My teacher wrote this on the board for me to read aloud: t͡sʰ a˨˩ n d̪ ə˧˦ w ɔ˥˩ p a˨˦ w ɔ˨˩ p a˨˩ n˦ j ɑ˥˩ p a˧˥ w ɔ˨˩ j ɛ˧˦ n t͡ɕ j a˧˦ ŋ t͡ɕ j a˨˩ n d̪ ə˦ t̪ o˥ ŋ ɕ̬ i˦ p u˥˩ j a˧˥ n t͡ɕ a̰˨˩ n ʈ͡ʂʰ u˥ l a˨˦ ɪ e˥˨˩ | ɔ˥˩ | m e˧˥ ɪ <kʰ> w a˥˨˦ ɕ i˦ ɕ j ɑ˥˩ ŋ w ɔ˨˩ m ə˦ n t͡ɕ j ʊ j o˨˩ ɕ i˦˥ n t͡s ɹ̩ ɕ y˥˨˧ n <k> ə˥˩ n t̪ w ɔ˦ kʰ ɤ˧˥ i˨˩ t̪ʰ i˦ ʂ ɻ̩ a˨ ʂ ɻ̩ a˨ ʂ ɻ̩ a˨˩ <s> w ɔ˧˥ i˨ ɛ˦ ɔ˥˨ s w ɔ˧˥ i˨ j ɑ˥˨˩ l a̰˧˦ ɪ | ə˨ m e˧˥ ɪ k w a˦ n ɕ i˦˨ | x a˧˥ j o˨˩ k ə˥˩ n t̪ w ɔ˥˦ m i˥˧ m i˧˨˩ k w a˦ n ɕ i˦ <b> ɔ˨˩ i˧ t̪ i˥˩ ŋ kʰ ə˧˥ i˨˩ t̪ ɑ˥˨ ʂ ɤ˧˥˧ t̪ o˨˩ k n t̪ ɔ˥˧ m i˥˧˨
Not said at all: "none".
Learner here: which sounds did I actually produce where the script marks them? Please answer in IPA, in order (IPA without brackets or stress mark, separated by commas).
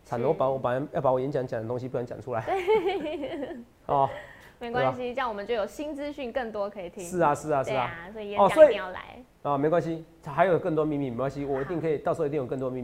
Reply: k, k, s, w